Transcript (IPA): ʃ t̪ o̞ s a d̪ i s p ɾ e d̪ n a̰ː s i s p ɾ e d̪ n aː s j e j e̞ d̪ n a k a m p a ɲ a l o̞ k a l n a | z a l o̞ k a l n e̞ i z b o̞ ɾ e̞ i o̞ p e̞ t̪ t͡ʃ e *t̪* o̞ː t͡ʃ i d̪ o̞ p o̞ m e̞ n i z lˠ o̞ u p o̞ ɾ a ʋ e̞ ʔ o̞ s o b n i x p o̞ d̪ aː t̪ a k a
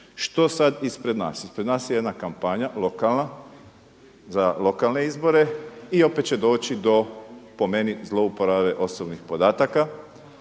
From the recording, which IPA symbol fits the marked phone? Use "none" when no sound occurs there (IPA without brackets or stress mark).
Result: d̪